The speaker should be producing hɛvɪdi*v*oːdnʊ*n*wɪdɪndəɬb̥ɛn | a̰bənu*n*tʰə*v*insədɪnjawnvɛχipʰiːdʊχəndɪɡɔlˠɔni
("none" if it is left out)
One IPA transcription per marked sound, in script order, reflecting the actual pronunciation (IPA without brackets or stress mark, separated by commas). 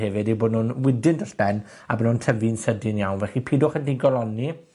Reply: b, n, n, v